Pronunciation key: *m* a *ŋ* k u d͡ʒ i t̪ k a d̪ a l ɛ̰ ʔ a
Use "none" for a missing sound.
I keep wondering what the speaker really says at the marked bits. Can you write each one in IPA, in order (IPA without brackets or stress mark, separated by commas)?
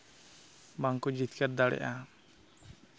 m, ŋ